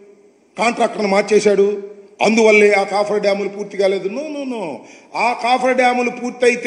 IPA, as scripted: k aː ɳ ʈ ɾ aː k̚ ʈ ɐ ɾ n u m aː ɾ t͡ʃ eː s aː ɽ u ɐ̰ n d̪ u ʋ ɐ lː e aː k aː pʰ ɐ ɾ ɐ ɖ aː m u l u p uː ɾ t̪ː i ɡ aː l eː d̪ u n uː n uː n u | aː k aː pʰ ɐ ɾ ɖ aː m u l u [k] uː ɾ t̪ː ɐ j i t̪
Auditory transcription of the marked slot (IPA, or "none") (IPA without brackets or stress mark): p